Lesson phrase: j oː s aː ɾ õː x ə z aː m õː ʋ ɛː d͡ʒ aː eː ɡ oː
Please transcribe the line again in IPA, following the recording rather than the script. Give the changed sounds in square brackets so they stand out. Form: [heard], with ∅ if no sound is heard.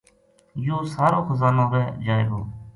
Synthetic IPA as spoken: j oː s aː ɾ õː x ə z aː [n] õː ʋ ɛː d͡ʒ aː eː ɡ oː